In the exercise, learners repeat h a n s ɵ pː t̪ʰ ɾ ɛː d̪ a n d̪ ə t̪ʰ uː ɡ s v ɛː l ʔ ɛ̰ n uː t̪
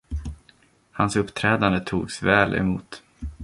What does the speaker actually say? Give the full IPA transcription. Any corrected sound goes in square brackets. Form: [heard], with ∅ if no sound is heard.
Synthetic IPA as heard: h a n s ɵ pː t̪ʰ ɾ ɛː d̪ a n d̪ ə t̪ʰ uː ɡ s v ɛː l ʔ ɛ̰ [m] uː t̪